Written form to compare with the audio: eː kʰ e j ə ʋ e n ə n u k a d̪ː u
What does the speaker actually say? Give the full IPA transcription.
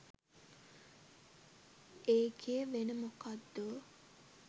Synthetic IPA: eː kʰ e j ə ʋ e n ə m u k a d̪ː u